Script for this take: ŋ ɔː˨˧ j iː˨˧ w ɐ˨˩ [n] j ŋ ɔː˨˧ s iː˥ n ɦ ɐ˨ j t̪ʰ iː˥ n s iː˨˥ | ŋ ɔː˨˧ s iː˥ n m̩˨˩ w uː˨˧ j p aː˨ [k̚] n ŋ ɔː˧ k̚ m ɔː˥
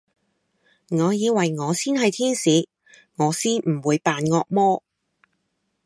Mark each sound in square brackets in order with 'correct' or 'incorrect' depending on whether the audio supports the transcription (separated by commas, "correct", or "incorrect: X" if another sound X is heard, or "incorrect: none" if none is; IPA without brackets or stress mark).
incorrect: none, incorrect: none